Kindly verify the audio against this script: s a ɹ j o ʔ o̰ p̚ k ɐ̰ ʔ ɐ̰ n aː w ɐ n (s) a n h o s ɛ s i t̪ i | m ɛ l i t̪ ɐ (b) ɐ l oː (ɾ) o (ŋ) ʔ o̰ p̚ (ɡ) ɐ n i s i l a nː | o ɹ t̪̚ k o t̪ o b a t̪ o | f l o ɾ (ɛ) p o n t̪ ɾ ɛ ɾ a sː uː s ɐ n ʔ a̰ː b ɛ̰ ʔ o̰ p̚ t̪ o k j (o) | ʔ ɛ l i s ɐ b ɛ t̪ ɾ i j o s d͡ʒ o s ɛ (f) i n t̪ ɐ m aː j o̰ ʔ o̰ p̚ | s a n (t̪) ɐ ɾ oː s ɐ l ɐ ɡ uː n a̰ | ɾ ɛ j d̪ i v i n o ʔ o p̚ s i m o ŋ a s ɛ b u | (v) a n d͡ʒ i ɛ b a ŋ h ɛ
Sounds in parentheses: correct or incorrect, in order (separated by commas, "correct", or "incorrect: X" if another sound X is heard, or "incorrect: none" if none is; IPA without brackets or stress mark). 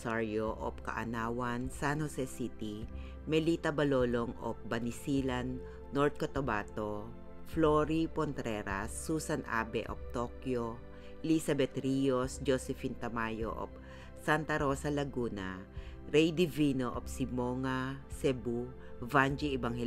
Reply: correct, correct, incorrect: l, correct, incorrect: b, incorrect: i, correct, correct, correct, correct